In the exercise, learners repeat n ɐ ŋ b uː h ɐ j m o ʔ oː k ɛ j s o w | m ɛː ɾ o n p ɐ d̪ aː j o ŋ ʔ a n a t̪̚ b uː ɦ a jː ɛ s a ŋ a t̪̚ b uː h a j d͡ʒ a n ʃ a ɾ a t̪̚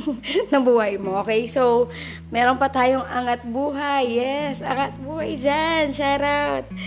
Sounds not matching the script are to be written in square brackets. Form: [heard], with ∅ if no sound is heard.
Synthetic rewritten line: n ɐ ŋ b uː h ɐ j m o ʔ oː k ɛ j s o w | m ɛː ɾ o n p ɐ [t̪] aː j o ŋ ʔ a [ŋ] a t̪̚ b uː ɦ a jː ɛ s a ŋ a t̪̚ b uː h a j d͡ʒ a n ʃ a ɾ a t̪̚